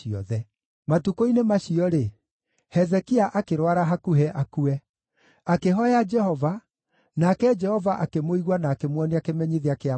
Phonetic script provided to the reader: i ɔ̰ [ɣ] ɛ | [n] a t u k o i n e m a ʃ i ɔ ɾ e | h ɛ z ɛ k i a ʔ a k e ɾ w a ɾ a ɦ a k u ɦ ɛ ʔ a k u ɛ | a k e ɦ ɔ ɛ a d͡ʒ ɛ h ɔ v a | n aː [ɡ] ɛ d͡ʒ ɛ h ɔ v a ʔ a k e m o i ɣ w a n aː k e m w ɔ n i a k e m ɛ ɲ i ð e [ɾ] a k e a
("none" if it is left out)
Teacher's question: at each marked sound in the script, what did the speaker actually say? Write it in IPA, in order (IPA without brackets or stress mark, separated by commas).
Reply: ð, m, k, none